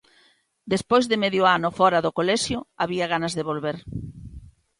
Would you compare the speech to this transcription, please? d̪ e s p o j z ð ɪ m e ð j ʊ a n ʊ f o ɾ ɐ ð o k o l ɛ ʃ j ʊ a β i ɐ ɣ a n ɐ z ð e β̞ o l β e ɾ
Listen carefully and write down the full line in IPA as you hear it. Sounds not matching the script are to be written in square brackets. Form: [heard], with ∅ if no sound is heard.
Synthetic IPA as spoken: d̪ e s p o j z ð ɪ m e ð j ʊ a n ʊ f [ɔ] ɾ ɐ ð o k o l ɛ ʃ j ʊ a β i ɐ ɣ a n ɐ z ð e β̞ o l β e ɾ